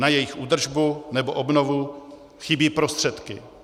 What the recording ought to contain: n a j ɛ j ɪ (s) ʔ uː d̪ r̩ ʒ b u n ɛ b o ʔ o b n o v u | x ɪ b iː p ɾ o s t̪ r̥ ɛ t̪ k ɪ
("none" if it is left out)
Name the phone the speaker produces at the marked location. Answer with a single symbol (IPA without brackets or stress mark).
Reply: x